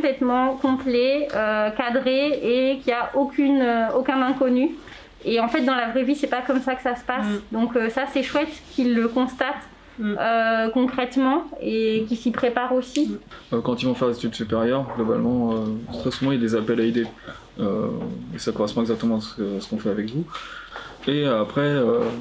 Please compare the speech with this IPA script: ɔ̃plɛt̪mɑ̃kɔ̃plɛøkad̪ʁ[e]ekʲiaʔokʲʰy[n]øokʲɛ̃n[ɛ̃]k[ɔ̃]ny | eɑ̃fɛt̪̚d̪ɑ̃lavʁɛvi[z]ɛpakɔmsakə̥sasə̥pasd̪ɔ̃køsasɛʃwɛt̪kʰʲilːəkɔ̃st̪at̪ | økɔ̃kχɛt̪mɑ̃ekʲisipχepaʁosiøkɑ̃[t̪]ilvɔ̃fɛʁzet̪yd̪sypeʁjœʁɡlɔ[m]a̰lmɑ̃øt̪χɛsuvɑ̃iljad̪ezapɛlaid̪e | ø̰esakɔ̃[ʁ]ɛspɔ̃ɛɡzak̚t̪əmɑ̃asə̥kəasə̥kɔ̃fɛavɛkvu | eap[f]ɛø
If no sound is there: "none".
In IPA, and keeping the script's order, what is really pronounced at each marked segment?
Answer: e, n, ɛ̃, ɔ, s, t̪, b, ʁ, χ

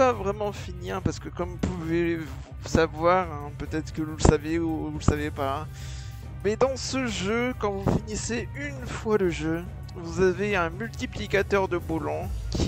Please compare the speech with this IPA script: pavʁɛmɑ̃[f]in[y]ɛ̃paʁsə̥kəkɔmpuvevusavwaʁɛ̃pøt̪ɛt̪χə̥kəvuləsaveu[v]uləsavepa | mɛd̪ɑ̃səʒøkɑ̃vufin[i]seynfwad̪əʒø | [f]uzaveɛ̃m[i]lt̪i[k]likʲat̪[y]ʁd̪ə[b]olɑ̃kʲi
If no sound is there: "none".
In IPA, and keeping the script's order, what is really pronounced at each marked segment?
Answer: f, i, v, i, v, y, p, œ, b

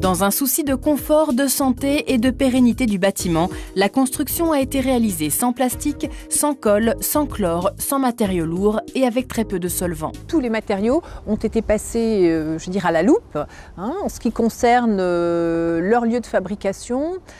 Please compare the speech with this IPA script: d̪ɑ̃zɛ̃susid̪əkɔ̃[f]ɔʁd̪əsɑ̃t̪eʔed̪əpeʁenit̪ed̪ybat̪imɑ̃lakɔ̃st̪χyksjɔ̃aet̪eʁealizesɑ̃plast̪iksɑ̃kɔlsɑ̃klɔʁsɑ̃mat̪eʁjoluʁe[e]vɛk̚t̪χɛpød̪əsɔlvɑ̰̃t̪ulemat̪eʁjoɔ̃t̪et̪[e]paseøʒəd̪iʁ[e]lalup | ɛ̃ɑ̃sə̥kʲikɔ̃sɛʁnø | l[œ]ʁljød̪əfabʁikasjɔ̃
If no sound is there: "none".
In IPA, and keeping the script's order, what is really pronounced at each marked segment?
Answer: f, a, e, a, œ

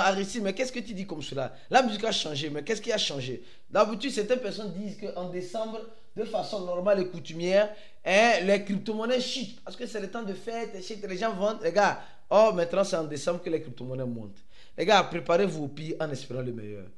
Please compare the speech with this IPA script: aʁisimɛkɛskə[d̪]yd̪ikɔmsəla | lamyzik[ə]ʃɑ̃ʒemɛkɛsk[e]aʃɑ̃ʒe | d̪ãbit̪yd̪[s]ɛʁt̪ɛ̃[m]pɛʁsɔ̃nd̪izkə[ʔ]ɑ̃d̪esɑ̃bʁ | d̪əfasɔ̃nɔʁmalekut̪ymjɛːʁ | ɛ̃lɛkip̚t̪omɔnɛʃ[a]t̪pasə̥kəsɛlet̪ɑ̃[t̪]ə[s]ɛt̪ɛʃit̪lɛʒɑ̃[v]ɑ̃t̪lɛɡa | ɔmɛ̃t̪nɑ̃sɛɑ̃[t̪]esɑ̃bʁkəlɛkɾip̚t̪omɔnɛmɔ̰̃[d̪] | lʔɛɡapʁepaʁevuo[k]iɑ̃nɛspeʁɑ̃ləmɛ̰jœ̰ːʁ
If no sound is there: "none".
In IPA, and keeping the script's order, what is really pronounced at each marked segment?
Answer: t̪, a, i, s, n, ʔ, i, d̪, f, v, d̪, t̪, p

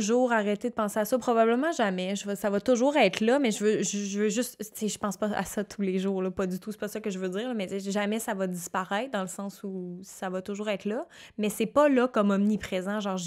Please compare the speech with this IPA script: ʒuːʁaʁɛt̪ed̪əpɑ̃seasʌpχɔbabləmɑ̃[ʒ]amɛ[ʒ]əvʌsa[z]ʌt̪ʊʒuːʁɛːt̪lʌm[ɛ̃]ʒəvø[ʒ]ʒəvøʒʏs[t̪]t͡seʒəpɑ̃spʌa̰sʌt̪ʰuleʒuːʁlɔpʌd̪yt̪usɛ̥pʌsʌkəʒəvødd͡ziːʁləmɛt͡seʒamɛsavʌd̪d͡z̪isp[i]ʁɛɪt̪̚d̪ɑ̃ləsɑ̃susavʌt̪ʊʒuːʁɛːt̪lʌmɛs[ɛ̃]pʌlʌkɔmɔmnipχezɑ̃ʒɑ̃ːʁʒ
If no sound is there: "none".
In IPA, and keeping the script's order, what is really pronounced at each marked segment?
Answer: ʒ, ʒ, v, ɛ, ʒ, t̪, a, ɛ

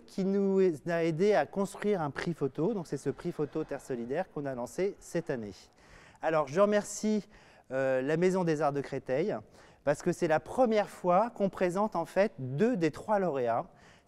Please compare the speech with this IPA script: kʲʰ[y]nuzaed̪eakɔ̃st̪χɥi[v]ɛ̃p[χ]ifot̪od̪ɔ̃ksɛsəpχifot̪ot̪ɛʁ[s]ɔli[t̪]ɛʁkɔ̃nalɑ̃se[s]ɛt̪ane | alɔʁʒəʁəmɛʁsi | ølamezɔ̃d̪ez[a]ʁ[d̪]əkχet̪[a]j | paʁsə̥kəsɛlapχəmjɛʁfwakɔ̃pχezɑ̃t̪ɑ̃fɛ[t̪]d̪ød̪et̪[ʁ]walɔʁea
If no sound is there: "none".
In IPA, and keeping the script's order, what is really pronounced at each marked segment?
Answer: i, ʁ, χ, s, d̪, s, a, d̪, ɛ, t̪, χ

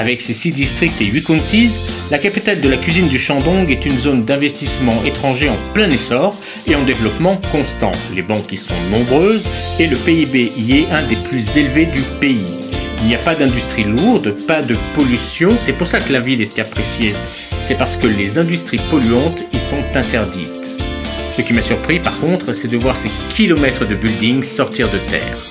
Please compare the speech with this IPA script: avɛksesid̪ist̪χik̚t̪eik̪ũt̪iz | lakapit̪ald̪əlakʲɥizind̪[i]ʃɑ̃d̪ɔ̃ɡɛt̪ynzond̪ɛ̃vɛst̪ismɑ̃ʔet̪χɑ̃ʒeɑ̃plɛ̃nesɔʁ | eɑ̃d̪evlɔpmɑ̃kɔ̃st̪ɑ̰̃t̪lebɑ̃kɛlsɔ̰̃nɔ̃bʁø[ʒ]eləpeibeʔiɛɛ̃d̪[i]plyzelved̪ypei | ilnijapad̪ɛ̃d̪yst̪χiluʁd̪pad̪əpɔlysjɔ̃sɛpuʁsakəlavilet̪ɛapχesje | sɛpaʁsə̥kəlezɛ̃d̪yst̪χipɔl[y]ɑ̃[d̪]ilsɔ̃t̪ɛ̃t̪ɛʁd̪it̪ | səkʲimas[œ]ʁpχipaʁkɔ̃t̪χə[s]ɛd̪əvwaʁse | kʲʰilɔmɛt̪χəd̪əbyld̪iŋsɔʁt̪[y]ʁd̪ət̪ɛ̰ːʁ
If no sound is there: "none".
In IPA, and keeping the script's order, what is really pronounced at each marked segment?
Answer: y, z, e, y, t̪, y, s, i

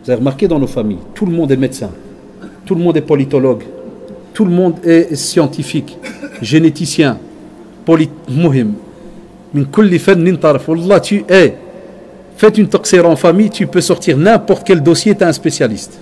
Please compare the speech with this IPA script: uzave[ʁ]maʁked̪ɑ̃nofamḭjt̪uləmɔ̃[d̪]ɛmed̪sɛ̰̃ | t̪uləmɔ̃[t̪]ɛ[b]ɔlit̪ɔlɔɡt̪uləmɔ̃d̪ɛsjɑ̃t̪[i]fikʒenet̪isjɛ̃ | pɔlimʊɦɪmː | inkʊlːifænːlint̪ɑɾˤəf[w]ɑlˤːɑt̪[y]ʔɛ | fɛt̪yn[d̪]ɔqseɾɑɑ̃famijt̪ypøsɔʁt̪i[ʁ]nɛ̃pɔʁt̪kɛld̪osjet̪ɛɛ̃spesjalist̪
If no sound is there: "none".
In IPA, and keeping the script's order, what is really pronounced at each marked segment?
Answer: ʁ, d̪, d̪, p, i, w, y, t̪, ʁ

